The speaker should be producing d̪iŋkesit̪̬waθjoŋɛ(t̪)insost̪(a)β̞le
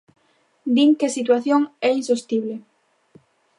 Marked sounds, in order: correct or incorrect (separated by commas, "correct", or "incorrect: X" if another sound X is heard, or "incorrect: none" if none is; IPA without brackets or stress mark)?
incorrect: none, incorrect: i